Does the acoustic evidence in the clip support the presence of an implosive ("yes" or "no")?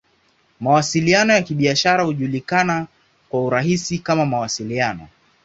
yes